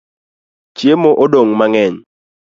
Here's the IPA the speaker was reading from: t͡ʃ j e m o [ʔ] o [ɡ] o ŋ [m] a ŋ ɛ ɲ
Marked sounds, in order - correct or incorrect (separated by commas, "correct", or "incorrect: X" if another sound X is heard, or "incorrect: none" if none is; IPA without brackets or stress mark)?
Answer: correct, incorrect: d, correct